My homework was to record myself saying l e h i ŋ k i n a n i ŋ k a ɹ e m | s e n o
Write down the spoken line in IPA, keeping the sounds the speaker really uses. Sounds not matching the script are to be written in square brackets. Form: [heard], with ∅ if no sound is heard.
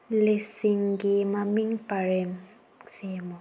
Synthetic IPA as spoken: l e [s] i ŋ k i [m] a [m] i ŋ [p] a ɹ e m | s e [m] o